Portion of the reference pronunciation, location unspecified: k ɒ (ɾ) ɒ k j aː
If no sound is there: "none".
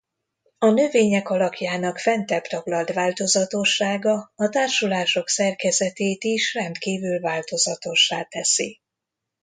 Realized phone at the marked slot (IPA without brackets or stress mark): l